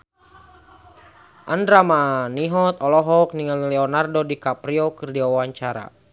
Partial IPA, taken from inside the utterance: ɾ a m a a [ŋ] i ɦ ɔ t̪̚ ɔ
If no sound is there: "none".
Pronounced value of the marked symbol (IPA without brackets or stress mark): n